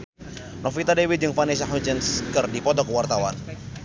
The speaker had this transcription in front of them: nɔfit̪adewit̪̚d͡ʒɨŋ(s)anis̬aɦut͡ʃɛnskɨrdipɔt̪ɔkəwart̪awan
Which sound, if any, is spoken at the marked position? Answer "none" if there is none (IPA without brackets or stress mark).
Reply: f